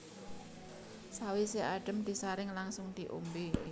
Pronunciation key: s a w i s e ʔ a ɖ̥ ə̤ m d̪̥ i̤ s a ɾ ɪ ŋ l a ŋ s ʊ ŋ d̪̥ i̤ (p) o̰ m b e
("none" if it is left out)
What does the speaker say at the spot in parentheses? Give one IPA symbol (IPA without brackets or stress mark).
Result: ʔ